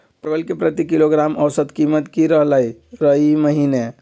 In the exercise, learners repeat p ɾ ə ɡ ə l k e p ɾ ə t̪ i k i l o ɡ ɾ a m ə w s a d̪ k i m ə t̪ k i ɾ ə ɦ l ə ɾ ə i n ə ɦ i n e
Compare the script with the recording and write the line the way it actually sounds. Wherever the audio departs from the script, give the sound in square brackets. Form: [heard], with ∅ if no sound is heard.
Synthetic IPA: p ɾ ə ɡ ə l k e p ɾ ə t̪ i k i l o ɡ ɾ a m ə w s [ə] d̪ k i m ə t̪ k i ɾ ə ɦ l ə ɾ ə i [m] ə ɦ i n e